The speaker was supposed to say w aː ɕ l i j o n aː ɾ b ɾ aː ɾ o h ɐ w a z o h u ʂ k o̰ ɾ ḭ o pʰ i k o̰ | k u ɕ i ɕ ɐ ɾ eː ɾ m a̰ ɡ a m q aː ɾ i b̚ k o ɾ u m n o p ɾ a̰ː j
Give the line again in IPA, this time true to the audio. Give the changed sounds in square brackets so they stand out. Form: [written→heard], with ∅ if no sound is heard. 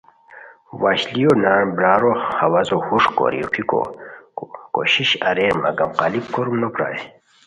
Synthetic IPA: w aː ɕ l i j o n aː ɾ b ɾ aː ɾ o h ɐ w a z o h u ʂ k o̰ ɾ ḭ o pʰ i k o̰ | k [u→o] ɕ i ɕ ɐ ɾ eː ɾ m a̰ ɡ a m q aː [ɾ→l] i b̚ k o ɾ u m n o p ɾ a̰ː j